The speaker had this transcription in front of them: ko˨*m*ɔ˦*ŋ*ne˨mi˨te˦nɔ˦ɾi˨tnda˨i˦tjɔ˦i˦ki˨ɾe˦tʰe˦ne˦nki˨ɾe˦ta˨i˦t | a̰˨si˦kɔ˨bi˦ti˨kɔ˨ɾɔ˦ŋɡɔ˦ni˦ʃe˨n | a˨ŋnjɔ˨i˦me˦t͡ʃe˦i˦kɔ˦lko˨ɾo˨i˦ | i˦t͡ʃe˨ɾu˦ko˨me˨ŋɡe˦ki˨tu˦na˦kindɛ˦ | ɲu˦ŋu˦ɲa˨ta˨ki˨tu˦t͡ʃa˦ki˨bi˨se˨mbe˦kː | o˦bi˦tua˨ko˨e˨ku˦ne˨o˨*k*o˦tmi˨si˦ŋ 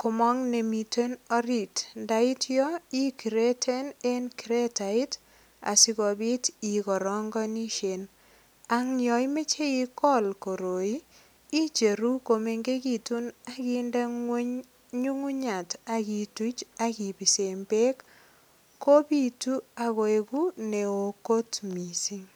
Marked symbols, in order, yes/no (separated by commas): yes, yes, yes